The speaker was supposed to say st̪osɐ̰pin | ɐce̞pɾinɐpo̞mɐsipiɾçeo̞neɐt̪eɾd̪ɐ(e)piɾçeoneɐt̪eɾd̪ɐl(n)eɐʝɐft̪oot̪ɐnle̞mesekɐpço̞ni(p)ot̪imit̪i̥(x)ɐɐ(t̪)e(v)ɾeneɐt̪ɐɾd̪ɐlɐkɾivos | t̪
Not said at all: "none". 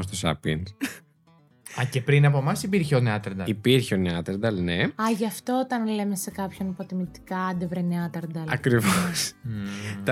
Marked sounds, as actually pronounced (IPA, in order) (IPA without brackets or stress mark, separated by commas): i, n, p, k, d̪, v